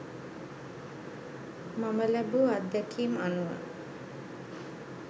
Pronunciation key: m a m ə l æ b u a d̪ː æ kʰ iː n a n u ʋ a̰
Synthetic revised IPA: m a m ə l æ b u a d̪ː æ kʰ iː m a n u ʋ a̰